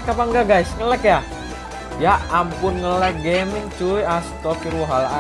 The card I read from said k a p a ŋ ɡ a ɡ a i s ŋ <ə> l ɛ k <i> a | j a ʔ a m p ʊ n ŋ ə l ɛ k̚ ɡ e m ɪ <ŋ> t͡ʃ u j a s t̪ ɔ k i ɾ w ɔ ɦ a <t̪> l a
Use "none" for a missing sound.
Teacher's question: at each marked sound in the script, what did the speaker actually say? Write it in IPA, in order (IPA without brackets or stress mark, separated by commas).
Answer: ə, j, ŋ, none